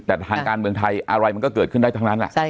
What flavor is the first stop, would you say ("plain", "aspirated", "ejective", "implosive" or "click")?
plain